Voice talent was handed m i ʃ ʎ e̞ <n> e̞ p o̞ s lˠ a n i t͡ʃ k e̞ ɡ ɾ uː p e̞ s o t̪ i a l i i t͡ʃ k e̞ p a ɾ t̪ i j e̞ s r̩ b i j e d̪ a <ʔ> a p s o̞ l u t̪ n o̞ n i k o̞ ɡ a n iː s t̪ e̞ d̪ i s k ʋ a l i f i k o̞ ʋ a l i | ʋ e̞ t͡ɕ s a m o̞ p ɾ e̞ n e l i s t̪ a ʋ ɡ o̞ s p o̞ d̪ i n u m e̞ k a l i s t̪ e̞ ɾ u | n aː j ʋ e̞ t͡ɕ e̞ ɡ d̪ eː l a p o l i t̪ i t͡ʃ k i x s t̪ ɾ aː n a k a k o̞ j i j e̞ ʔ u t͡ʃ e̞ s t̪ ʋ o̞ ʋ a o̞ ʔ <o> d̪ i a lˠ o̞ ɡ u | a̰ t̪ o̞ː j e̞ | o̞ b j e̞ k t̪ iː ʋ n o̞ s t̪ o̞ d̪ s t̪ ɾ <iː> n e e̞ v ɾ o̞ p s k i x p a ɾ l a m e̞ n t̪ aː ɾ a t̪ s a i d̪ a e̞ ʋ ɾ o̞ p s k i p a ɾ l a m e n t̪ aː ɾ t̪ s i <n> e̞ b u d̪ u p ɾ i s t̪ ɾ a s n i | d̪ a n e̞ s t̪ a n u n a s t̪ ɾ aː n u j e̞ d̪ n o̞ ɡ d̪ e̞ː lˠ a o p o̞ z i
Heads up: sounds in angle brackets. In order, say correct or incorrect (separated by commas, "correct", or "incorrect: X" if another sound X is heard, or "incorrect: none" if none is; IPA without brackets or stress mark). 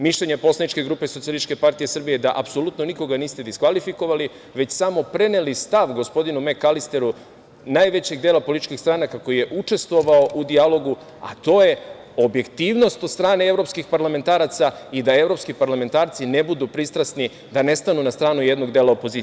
incorrect: ɲ, correct, incorrect: u, incorrect: aː, correct